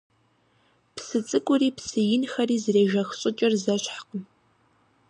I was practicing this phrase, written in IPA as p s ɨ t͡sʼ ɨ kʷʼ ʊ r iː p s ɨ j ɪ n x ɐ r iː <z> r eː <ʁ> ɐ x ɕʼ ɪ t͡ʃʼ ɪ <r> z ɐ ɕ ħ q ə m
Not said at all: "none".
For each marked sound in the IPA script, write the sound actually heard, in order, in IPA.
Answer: z, ʒ, r

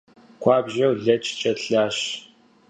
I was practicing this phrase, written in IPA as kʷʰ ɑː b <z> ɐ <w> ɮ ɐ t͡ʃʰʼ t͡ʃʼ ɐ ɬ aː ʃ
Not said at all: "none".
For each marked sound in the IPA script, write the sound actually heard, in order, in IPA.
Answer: ʒ, w

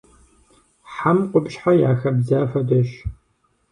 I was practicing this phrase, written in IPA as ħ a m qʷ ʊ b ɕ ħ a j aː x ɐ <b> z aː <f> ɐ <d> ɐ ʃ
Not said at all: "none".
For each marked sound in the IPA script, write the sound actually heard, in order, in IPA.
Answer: b, f, d

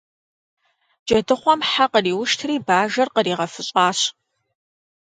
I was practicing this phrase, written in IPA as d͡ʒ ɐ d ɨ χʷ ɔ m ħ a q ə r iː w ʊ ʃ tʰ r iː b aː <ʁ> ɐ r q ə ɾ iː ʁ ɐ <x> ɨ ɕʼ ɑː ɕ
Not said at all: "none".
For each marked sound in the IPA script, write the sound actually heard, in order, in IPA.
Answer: ʒ, f

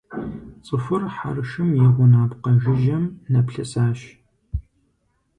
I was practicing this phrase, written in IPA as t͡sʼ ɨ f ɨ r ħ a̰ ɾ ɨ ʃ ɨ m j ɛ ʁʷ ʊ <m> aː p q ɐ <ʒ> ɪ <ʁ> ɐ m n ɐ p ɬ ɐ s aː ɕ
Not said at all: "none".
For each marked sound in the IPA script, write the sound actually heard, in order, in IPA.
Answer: n, ʒ, ʒ

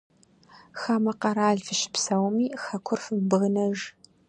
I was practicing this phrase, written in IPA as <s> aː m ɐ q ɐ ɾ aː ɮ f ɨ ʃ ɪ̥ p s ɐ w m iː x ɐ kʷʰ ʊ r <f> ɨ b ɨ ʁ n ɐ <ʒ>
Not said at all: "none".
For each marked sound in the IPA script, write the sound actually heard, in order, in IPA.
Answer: x, f, ʒ

